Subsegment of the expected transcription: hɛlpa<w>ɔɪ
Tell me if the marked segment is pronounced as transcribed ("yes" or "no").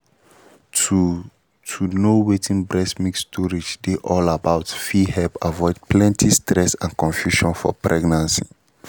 no